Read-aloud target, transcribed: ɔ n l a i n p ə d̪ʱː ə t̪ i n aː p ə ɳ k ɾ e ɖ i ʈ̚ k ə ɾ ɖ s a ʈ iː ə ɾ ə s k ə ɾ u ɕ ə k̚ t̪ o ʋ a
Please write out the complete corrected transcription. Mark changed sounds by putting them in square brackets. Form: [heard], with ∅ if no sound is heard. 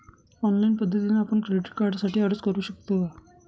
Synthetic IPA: ɔ n l a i n p ə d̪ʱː ə t̪ i n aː p ə ɳ k ɾ e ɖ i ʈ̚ k [a] ɾ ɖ s a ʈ iː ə ɾ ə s k ə ɾ [uː] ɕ ə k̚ t̪ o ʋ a